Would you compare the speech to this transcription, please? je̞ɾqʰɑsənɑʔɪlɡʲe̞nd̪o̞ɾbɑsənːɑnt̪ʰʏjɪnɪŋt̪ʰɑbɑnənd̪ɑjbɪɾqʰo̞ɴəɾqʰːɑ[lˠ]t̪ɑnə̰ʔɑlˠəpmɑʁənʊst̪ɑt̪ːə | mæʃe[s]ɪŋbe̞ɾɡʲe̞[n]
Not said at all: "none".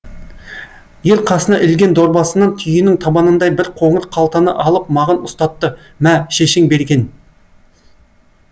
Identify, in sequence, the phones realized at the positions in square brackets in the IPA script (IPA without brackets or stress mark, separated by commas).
lˠ, ʃ, n